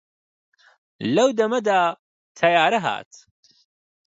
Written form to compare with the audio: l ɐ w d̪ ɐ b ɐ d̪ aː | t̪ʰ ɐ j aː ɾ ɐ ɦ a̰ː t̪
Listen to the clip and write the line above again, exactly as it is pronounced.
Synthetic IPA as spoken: l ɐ w d̪ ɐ m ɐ d̪ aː | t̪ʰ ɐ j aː ɾ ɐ ɦ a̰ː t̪